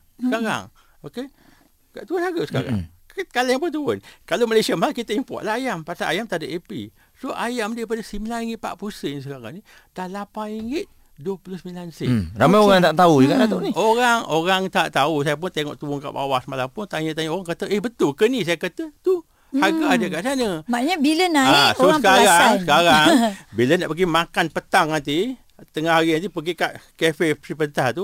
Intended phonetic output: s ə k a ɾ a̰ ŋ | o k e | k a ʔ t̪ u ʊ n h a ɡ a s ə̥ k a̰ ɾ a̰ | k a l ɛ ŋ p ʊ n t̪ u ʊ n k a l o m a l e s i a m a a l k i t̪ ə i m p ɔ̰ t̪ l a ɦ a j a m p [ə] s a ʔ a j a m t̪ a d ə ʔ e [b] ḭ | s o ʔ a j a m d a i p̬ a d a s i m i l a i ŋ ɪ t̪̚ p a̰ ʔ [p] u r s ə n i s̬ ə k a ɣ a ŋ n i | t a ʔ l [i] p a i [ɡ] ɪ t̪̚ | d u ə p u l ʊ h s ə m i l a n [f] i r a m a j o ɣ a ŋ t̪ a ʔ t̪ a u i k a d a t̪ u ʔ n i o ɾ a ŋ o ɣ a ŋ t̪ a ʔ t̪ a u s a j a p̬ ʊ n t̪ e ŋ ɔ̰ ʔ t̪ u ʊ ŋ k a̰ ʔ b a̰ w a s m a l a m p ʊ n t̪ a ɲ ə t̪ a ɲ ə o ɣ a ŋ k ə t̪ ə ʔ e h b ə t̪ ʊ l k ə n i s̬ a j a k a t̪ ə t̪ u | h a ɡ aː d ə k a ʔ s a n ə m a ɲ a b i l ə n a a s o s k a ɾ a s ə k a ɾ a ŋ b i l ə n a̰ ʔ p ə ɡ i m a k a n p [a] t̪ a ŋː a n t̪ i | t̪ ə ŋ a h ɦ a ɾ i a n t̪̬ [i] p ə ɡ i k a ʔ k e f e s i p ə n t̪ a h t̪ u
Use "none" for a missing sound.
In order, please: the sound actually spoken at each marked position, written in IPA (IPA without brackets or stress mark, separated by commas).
a, p, p, a, ŋ, s, ə, i